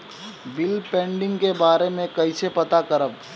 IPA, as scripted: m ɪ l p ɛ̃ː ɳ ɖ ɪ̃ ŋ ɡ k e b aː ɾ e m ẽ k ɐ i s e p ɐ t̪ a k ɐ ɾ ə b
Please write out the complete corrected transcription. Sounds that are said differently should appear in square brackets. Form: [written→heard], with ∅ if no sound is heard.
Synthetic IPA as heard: [m→b] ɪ l p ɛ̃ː ɳ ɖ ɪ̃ ŋ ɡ k e b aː ɾ e m ẽ k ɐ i s e p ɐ t̪ a k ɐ ɾ ə b